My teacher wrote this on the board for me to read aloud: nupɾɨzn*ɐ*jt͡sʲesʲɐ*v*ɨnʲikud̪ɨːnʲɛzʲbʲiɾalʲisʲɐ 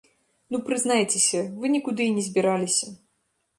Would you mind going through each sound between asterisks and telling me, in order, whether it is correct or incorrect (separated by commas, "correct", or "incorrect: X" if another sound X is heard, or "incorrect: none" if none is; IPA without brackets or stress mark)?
incorrect: a, correct